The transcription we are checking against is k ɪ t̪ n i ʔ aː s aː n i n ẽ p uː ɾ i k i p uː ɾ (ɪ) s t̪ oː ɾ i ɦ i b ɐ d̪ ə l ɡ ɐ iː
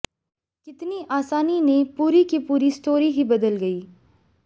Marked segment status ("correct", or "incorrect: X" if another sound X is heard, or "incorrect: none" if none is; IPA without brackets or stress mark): incorrect: i